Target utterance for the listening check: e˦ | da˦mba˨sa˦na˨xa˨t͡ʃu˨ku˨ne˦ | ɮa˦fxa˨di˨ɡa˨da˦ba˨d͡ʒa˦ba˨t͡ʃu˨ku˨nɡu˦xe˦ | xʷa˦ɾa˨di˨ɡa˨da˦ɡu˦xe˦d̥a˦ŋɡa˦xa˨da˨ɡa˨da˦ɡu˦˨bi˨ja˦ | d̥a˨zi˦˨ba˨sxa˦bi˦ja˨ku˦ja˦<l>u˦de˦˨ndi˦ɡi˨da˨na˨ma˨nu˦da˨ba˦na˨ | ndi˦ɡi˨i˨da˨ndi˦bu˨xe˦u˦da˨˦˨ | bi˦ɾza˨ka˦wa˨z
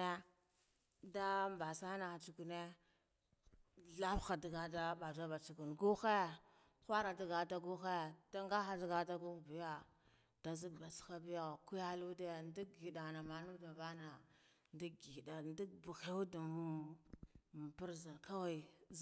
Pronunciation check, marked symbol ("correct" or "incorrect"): correct